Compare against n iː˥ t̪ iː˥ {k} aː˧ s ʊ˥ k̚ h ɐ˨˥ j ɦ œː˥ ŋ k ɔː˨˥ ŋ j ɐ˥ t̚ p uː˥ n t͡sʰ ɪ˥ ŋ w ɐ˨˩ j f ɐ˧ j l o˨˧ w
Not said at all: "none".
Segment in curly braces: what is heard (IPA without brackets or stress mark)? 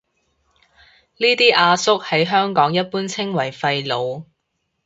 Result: ʔ